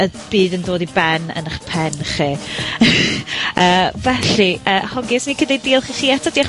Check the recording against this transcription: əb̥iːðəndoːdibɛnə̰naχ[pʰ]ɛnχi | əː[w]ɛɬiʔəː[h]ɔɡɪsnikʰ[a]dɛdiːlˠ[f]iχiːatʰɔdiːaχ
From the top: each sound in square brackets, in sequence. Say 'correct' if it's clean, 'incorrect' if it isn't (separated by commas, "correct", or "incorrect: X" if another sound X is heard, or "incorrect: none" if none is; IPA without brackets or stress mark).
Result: correct, incorrect: v, correct, incorrect: ə, incorrect: χ